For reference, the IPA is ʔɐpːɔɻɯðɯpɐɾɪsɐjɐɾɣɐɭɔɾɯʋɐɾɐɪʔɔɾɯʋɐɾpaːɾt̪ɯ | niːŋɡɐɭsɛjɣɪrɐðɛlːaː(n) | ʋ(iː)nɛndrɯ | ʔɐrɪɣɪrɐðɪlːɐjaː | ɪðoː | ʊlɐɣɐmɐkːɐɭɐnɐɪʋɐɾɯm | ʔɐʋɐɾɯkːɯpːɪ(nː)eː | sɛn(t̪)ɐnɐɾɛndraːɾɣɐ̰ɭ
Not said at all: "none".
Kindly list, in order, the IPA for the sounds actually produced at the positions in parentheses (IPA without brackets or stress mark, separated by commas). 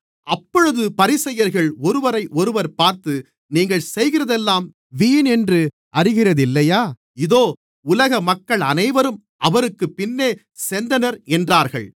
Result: m, iː, nː, d̪